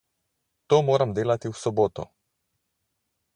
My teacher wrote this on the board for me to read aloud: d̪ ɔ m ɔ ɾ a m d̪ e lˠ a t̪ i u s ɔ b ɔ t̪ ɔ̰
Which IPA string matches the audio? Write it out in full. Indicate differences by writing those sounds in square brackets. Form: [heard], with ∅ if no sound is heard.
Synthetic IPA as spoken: [t̪] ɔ m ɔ ɾ a m d̪ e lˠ a t̪ i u s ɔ b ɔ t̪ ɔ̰